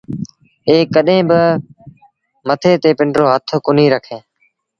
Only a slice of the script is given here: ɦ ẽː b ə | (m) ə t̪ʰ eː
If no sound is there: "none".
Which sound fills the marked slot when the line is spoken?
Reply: m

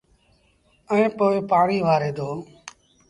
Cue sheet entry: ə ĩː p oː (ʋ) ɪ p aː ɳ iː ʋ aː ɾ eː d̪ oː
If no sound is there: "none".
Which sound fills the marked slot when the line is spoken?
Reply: none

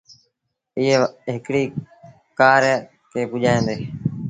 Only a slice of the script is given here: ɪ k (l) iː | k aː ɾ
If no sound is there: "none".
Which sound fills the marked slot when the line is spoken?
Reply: ɽ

